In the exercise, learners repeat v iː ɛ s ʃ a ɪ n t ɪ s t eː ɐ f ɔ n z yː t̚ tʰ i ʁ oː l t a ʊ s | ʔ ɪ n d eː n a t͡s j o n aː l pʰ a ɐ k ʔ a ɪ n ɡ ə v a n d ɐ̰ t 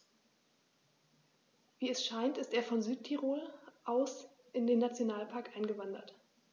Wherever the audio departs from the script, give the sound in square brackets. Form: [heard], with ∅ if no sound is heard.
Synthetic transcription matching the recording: v iː ɛ s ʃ a ɪ n t ɪ s t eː ɐ f ɔ n z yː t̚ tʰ i ʁ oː l [ʔ] a ʊ s | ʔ ɪ n d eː n a t͡s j o n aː l pʰ a ɐ k ʔ a ɪ n ɡ ə v a n d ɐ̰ t